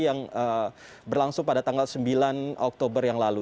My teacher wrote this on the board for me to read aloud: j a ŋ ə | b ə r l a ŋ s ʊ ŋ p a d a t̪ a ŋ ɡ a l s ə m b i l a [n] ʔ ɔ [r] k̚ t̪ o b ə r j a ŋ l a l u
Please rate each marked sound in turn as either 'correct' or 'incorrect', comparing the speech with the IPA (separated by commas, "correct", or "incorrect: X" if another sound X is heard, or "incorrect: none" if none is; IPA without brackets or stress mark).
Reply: correct, incorrect: none